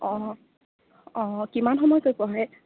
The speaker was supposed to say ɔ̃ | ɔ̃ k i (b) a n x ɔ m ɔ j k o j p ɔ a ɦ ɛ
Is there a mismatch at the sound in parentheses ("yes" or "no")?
yes